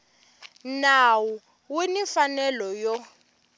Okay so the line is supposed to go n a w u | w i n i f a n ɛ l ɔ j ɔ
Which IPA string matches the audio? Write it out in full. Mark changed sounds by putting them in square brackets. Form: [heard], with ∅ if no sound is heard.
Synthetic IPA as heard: n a w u | w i n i f a n ɛ l ɔ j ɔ